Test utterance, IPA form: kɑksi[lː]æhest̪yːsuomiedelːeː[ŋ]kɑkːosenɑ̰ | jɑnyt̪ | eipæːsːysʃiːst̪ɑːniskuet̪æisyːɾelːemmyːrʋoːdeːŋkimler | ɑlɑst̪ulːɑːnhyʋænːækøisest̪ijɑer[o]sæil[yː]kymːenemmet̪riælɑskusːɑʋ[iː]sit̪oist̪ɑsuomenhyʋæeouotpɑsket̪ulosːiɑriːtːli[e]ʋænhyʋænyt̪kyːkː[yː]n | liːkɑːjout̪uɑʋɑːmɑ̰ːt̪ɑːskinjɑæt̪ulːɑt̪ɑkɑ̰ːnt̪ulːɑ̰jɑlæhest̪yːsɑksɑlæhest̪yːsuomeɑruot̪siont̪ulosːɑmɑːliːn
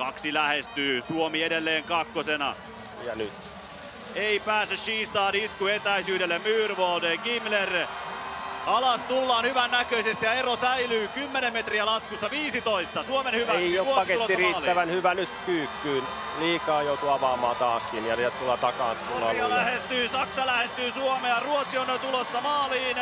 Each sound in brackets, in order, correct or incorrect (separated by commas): incorrect, correct, correct, correct, correct, incorrect, correct